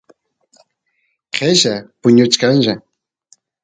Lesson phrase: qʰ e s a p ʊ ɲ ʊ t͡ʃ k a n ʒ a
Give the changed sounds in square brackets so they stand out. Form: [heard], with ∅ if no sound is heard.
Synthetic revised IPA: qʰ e [ʃ] a p ʊ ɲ ʊ t͡ʃ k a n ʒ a